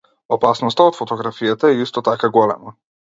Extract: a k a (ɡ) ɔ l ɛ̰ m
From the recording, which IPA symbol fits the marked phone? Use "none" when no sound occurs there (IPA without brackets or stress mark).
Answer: ɡ